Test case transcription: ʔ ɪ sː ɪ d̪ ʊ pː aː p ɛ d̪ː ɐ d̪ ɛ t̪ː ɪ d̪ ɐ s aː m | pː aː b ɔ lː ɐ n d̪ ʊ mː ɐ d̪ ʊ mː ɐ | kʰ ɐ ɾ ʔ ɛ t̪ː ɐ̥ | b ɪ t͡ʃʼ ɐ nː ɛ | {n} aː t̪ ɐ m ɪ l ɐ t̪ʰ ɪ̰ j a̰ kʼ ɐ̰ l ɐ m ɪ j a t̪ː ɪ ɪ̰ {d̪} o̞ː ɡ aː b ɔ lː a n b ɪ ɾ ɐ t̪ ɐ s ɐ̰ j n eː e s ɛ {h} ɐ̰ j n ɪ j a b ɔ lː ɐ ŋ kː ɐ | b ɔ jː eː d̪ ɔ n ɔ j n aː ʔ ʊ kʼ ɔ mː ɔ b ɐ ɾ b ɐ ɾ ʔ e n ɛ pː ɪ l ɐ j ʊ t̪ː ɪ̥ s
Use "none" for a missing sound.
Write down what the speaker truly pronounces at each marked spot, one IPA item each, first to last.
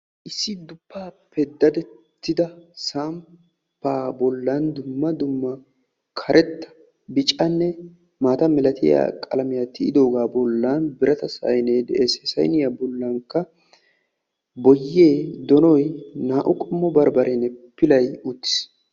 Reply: m, d̪, s

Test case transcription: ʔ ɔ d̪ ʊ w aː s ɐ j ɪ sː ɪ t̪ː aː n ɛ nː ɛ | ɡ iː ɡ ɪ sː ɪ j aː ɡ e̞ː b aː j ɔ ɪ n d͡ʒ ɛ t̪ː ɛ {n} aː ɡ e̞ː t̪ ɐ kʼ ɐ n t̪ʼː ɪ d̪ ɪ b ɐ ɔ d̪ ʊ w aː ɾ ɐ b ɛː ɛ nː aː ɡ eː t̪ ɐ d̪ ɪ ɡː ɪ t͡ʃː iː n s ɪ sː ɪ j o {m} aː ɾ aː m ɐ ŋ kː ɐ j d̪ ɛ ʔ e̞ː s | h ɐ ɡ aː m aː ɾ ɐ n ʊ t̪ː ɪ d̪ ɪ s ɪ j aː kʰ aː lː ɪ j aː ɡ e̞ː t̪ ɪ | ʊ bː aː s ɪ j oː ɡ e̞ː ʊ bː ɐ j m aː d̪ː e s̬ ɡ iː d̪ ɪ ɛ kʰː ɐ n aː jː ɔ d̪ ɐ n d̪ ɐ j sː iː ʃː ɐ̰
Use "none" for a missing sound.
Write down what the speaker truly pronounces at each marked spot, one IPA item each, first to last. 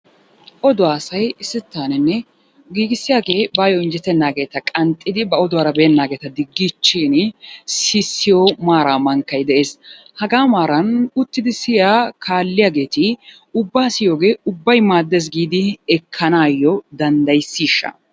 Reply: nː, m

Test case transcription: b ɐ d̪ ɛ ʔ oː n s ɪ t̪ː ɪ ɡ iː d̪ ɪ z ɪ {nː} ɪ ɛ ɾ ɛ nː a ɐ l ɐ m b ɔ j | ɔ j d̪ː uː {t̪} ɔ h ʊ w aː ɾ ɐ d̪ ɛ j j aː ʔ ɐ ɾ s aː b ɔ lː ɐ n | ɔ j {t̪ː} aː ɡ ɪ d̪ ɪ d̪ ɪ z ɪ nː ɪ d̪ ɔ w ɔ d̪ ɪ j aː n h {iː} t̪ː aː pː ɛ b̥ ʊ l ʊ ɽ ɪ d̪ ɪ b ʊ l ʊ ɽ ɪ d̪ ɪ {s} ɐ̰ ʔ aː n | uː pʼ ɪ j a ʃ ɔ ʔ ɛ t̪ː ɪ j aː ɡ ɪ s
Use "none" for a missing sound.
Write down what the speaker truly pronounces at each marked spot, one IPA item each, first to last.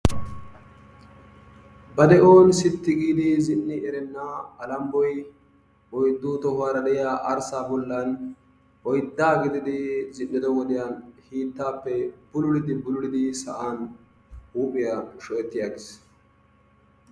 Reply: nː, t̪, d̪ː, iː, s

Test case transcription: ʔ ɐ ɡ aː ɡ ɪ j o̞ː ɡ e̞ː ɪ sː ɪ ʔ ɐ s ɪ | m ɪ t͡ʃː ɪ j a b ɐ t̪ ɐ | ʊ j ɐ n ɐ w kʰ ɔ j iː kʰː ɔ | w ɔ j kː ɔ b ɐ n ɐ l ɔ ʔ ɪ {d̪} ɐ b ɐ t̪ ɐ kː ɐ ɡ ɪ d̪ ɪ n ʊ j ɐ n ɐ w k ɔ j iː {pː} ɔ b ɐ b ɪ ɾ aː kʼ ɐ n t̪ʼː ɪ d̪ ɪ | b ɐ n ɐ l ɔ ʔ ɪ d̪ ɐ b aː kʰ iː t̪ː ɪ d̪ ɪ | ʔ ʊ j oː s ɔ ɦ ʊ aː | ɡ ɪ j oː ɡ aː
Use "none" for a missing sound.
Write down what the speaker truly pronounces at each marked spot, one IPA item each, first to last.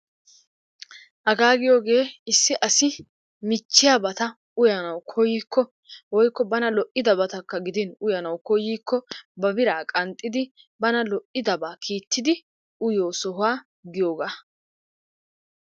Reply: d̪, kː

